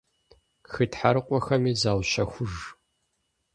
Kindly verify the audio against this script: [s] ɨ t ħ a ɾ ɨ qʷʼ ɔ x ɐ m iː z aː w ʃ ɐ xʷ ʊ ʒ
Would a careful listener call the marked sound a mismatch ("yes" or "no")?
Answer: yes